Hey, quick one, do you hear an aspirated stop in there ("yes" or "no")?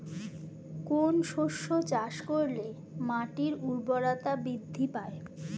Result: no